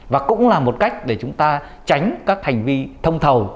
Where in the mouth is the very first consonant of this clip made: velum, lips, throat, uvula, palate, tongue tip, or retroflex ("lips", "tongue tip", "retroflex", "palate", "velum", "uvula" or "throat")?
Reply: lips